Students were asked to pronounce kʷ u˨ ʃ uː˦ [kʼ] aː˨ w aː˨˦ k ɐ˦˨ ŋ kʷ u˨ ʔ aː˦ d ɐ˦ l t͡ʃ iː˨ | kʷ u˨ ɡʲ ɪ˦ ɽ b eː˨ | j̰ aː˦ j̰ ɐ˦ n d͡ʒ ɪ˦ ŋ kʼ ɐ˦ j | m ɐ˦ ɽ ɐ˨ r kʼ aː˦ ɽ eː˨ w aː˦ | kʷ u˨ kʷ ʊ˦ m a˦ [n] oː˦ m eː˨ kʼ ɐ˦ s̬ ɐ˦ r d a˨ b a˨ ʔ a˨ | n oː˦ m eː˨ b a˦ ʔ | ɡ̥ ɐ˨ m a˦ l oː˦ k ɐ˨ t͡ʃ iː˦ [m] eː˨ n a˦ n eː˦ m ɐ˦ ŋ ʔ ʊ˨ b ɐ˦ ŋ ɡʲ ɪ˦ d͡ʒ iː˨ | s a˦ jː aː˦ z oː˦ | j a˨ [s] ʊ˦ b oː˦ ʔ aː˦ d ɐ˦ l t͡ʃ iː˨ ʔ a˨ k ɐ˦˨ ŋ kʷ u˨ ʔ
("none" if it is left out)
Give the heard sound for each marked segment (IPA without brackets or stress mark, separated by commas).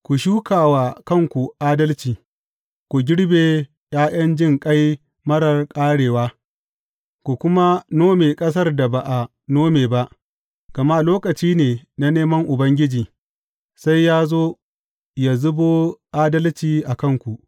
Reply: k, n, n, z